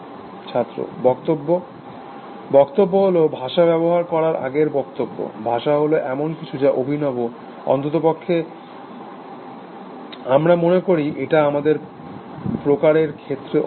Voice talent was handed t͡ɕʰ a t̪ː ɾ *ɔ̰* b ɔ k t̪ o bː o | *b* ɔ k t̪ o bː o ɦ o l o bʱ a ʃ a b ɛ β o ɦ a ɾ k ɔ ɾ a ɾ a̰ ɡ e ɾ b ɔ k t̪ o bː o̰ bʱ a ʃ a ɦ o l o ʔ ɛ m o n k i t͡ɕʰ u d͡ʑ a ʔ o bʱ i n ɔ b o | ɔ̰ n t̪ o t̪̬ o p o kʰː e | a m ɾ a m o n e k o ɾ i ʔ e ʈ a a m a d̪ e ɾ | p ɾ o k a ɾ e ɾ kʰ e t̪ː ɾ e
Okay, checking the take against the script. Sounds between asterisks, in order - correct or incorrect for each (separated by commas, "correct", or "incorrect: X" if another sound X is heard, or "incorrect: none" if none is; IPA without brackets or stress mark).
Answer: incorrect: o̰, correct